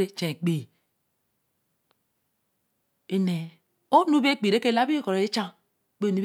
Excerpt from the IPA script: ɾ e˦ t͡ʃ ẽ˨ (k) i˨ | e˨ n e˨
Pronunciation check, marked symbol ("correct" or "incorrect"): incorrect